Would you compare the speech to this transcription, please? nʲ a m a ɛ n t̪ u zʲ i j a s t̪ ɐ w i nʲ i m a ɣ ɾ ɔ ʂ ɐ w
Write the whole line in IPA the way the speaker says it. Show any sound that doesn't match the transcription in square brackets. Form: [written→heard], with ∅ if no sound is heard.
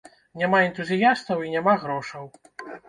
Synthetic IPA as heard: nʲ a m a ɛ n t̪ u zʲ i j a s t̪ ɐ w i nʲ [i→a] m a ɣ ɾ ɔ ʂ ɐ w